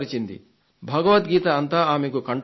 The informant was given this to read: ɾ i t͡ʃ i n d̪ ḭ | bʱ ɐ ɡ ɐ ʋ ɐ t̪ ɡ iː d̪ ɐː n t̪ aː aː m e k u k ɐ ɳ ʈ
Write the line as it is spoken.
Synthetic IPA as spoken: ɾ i t͡ʃ i n d̪ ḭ | bʱ ɐ ɡ ɐ ʋ ɐ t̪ ɡ iː t̪ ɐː n t̪ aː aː m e k u k ɐ ɳ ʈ